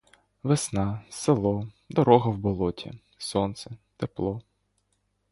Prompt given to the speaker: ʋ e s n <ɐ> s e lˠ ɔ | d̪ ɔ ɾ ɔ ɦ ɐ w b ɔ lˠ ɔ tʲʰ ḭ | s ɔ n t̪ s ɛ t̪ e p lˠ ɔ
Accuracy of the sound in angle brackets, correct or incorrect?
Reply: incorrect: ɑ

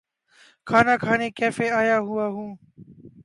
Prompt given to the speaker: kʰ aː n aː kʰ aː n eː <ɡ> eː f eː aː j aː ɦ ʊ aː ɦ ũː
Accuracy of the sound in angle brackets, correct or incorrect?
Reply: incorrect: k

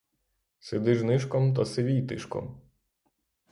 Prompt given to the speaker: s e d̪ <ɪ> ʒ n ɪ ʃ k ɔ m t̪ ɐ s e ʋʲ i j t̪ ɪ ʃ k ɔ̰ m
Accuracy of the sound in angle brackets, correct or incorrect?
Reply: correct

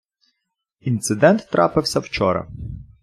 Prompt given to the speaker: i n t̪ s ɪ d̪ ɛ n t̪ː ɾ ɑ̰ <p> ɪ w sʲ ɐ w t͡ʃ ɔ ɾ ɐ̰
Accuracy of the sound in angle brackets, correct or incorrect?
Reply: correct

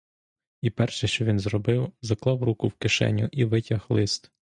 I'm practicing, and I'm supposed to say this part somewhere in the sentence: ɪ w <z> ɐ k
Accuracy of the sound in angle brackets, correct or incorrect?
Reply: correct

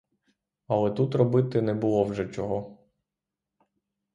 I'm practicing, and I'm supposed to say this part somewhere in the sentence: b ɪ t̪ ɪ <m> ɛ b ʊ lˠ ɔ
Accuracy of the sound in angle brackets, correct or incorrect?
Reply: incorrect: n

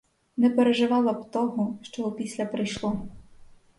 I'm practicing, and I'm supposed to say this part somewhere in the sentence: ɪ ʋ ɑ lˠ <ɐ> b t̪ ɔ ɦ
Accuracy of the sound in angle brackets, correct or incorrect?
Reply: correct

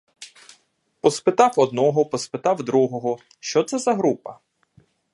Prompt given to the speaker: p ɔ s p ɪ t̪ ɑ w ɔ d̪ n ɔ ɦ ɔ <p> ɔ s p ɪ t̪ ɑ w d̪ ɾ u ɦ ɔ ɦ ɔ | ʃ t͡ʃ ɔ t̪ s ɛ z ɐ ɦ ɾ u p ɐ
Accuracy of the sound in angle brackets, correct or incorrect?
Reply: correct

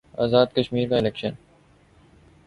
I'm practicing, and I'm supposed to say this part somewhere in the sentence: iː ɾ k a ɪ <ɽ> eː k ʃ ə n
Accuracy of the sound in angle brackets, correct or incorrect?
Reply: incorrect: l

